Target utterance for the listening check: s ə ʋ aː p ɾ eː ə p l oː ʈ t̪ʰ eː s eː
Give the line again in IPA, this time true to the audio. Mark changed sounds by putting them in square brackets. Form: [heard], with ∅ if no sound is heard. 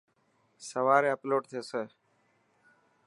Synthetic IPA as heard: s ə ʋ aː [∅] ɾ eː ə p l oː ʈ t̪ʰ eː s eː